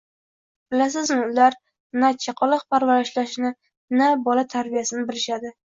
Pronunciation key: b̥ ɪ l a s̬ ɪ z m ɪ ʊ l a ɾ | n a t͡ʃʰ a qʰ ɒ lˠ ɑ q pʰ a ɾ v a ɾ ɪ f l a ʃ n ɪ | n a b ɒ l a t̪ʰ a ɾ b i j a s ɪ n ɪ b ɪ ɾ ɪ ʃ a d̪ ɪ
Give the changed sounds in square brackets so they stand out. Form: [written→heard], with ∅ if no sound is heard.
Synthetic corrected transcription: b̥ ɪ l a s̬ ɪ z m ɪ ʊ l a ɾ | n a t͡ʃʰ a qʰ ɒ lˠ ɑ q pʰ a ɾ v a ɾ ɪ [f→ʃ] l a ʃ n ɪ | n a b ɒ l a t̪ʰ a ɾ b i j a s ɪ n ɪ b ɪ [ɾ→l] ɪ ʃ a d̪ ɪ